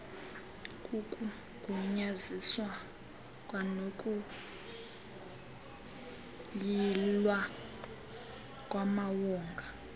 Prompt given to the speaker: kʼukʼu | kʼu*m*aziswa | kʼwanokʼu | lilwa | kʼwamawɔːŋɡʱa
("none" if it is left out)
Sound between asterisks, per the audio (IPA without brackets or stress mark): ɲ